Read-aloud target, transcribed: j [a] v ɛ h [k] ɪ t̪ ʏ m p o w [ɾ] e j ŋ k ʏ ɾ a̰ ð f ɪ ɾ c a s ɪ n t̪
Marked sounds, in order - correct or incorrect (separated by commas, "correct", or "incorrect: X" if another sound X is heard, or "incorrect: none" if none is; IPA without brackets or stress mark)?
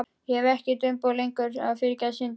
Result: incorrect: ɛ, incorrect: c, incorrect: l